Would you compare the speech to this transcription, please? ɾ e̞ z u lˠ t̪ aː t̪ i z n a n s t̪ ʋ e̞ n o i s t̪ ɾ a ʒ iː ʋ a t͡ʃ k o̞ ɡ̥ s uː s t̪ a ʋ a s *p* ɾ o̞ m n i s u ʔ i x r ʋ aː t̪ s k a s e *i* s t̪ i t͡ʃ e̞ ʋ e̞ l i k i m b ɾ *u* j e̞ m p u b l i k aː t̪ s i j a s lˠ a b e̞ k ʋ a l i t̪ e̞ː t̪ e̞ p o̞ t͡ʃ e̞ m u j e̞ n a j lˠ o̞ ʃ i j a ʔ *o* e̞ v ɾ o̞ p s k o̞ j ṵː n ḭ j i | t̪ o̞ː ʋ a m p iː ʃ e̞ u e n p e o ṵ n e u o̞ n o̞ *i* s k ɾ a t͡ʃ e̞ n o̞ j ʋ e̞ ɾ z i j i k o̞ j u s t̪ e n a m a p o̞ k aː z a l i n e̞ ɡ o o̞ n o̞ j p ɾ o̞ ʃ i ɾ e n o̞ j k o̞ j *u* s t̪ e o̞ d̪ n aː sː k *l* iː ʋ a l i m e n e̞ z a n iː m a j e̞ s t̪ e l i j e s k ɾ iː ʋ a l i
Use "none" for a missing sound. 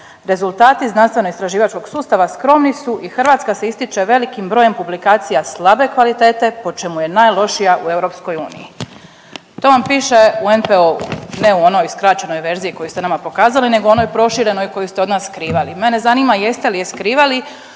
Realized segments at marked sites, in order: k, i, o, u, j, u, ɾ

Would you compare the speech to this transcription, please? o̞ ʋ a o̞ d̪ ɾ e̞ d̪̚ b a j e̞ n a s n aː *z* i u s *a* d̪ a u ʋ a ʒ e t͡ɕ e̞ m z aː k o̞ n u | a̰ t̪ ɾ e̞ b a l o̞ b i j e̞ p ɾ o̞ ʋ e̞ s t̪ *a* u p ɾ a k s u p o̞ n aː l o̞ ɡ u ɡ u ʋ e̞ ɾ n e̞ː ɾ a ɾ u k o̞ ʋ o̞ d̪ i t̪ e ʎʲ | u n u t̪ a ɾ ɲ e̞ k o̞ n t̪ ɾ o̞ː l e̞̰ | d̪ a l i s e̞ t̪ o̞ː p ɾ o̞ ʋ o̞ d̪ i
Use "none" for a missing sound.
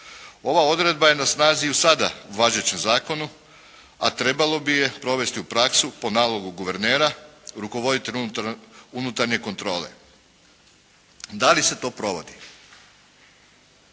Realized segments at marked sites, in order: z, a, i

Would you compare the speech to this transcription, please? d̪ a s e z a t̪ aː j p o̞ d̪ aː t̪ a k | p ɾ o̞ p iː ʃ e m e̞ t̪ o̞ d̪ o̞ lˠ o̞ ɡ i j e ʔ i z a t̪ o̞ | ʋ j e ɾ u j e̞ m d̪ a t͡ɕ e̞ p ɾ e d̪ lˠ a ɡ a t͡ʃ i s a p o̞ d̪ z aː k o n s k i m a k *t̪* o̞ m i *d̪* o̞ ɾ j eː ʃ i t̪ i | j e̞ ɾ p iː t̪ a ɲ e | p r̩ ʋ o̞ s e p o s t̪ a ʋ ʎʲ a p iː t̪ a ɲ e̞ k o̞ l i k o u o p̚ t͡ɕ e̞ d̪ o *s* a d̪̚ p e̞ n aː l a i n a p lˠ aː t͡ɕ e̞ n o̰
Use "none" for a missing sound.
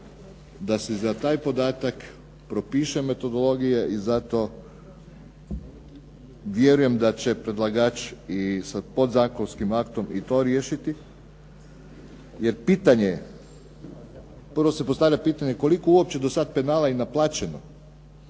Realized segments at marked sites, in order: t̪, t̪, s

